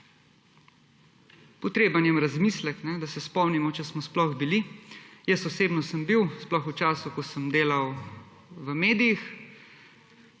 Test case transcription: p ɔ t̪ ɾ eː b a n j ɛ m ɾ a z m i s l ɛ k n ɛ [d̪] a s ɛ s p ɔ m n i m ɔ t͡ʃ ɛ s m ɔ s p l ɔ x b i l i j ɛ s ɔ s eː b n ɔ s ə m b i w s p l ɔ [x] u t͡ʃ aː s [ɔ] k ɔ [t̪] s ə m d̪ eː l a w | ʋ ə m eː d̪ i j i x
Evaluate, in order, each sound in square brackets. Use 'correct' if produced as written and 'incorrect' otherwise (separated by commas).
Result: correct, correct, incorrect, incorrect